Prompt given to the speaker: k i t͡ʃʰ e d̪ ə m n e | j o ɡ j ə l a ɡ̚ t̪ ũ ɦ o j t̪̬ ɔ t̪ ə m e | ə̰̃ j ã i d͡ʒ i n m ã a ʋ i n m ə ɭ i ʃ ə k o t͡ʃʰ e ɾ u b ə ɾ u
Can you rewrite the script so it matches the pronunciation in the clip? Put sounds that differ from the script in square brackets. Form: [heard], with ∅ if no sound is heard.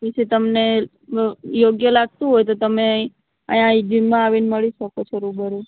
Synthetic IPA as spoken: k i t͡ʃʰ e [t̪] ə m n e | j o ɡ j ə l a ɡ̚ t̪ ũ ɦ o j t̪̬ [o] t̪ ə m e | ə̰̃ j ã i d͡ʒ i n m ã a ʋ i n m ə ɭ i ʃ ə k o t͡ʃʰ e ɾ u b ə ɾ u